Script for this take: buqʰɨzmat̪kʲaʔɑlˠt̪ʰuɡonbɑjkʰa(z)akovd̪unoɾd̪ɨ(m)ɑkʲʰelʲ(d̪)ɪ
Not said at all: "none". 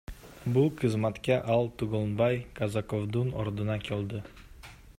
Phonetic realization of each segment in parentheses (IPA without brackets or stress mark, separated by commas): z, n, d̪